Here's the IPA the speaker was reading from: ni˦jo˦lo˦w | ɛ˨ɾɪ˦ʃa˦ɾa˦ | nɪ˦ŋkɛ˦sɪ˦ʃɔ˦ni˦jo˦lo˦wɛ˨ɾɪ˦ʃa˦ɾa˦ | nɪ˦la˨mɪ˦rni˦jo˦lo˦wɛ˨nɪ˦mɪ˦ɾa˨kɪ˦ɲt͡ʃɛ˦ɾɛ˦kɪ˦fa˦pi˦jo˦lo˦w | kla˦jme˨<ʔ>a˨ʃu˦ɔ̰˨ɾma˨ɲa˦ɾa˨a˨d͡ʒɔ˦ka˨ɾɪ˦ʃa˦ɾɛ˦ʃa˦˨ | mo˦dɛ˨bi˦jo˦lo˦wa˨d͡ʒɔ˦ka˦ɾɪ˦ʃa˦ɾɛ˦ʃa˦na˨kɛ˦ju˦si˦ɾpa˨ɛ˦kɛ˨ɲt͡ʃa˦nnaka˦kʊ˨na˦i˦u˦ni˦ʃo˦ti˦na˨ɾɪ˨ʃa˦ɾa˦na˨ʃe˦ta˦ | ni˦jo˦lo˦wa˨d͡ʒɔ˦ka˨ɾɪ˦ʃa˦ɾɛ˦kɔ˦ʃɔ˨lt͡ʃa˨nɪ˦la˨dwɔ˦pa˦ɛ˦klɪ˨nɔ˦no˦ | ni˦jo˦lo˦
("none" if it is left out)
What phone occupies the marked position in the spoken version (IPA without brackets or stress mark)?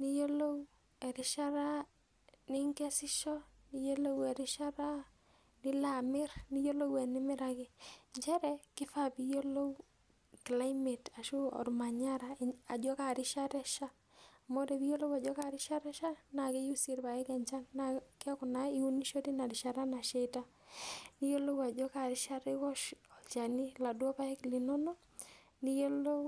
t